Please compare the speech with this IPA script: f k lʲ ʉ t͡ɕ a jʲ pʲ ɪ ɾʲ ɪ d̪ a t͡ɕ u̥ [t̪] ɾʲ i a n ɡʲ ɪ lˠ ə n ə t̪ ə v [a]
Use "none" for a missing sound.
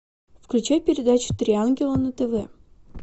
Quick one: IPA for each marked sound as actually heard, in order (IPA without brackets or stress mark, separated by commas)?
t̪, ɛ